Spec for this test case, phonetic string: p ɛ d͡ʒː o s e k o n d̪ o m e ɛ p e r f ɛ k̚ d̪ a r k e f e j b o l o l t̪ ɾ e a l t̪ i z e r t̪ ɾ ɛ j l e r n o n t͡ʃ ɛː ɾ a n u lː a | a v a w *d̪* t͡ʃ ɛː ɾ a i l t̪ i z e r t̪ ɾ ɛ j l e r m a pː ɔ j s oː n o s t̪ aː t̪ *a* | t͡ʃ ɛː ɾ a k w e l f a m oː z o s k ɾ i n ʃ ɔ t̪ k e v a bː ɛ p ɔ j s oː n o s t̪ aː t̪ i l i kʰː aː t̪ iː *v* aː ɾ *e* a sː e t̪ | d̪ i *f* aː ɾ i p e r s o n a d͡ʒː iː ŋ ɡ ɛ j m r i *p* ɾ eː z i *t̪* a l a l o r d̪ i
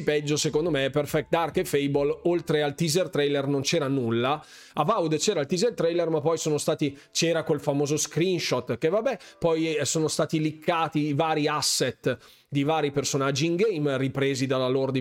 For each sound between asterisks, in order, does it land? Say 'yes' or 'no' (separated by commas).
yes, no, yes, no, no, yes, no